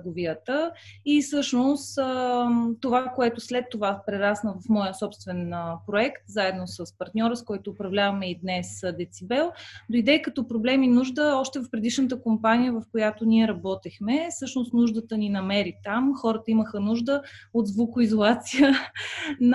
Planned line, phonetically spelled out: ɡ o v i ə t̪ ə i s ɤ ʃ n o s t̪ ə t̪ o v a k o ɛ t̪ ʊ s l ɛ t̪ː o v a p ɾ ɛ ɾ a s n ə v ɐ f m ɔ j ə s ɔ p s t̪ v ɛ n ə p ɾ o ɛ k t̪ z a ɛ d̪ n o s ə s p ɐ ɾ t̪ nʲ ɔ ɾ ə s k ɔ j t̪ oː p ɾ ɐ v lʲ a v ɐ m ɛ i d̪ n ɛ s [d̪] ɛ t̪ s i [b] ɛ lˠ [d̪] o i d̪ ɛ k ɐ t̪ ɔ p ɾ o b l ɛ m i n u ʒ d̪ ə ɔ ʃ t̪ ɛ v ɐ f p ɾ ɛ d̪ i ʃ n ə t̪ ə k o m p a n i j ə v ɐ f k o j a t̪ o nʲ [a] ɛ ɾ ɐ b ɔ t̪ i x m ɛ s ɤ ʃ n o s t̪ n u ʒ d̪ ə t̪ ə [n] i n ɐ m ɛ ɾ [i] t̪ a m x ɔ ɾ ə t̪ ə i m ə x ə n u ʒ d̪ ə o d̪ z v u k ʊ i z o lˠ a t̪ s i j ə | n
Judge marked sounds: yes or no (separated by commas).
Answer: yes, yes, yes, no, yes, yes